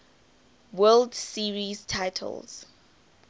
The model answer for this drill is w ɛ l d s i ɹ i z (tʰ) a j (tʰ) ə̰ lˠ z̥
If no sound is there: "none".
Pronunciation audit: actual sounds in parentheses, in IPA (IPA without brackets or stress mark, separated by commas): tʰ, tʰ